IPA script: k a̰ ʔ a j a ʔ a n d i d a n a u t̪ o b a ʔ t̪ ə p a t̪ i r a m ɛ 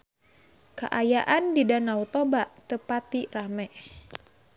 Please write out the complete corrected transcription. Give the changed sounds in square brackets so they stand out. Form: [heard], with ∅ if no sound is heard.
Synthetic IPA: k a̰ ʔ a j a ʔ a n d i d a n a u t̪ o b a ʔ t̪ ə p a t̪ i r a m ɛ